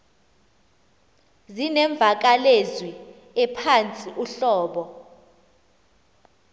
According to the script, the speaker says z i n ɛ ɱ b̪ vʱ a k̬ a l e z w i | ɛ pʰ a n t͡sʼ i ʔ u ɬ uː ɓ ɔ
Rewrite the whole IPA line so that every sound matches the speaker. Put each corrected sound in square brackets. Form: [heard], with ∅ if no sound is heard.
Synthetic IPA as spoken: z i n ɛ ɱ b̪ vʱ a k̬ a l e z w i | ɛ pʰ a n t͡sʼ i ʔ u ɬ [ɔː] ɓ ɔ